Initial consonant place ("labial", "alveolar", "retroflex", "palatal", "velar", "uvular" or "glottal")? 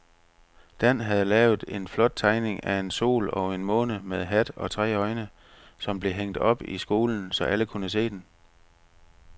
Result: alveolar